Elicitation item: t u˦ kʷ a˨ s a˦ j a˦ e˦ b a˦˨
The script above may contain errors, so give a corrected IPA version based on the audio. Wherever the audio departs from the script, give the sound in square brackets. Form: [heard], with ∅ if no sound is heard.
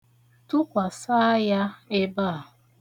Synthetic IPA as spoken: t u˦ kʷ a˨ s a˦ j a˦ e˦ b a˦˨